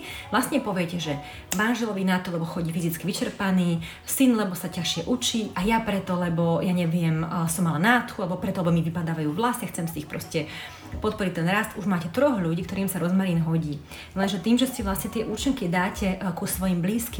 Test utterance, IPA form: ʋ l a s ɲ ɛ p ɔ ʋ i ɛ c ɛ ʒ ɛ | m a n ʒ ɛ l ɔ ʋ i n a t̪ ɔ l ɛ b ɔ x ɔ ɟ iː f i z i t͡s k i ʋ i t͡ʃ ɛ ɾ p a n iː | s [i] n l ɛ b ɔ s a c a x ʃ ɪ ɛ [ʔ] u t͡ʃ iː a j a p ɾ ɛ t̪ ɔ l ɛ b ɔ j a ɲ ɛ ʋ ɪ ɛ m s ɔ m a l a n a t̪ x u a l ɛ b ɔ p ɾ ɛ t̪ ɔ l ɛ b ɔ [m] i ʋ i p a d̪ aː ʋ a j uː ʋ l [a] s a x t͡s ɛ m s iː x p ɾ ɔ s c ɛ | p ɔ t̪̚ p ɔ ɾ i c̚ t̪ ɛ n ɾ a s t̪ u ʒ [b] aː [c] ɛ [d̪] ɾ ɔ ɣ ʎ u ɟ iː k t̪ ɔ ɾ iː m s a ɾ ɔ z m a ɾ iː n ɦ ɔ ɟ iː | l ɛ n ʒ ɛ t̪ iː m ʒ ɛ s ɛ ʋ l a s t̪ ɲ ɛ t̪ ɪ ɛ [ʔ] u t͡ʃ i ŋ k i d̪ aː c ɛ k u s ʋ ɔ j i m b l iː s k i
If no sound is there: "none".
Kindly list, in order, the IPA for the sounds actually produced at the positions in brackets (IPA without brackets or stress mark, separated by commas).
i, ʔ, m, a, m, c, t̪, ʔ